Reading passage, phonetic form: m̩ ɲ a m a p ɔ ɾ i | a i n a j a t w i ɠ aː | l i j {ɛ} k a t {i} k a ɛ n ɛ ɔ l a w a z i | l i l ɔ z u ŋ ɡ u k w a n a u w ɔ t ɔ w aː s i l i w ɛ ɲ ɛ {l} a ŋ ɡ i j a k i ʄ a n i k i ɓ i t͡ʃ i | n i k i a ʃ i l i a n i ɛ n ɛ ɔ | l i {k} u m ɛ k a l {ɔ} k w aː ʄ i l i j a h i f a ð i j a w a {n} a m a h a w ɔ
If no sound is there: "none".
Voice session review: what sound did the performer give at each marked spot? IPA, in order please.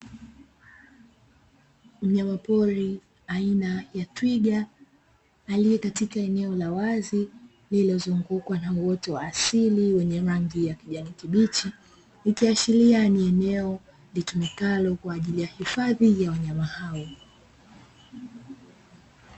ɛ, i, ɾ, t, ɔ, ɲ

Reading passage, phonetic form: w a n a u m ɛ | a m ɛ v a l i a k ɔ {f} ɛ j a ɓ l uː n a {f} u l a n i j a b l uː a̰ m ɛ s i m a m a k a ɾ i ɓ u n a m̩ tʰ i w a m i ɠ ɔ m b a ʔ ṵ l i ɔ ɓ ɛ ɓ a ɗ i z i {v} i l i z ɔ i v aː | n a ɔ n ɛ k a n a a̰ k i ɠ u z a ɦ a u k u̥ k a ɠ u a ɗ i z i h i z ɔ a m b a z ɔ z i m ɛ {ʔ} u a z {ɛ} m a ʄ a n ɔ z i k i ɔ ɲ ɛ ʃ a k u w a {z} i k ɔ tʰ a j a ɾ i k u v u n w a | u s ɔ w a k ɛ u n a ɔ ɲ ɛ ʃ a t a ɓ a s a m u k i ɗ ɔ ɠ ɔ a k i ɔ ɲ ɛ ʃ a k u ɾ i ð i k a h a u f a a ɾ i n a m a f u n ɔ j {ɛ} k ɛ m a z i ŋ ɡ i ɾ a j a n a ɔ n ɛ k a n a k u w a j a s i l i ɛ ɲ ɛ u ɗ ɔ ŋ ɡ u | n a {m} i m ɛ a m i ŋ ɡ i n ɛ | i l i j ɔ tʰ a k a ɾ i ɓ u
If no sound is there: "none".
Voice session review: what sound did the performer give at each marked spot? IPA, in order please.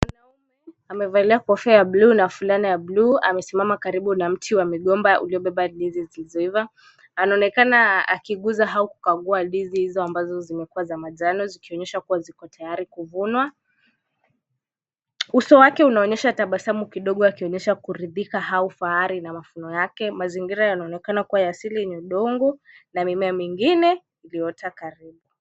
f, f, z, k, a, z, a, m

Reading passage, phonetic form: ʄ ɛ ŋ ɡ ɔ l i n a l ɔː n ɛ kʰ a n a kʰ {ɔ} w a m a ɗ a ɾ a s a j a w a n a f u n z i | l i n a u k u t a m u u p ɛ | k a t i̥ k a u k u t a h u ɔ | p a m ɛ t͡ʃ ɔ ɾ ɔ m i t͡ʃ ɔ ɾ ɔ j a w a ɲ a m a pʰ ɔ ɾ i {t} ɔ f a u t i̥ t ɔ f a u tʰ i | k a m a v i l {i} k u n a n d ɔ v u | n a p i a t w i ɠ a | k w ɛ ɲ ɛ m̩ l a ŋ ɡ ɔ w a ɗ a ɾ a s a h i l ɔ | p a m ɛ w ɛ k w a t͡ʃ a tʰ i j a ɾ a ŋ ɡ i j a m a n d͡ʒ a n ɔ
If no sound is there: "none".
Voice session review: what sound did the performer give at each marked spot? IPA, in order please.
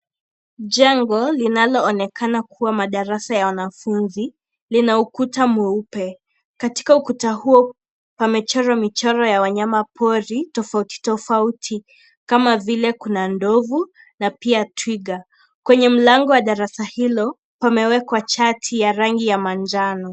u, t, ɛ

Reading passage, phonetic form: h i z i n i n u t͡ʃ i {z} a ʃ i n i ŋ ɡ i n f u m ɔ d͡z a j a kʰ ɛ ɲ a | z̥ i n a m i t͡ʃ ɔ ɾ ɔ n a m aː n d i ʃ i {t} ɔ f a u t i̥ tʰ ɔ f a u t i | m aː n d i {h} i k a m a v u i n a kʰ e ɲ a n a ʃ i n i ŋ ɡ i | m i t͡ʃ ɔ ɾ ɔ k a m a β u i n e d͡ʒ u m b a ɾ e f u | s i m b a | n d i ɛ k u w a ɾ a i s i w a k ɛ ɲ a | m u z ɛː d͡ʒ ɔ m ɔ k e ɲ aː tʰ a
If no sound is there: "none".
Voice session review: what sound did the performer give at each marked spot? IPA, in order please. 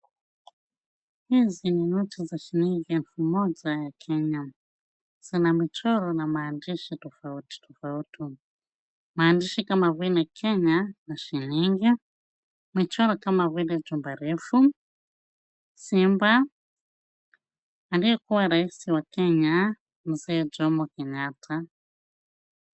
z, t, ʃ

